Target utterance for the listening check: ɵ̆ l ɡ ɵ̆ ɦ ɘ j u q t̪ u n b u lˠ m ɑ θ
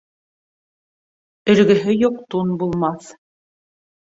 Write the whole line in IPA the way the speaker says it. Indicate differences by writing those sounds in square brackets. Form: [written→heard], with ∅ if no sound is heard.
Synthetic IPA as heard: ɵ̆ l ɡ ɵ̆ ɦ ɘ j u q t̪ u n b u lˠ m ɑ θ